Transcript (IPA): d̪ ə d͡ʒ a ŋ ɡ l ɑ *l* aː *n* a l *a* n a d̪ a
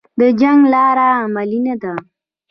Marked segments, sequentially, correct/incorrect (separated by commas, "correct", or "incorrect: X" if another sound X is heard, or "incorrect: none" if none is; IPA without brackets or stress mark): incorrect: ɾ, incorrect: m, incorrect: i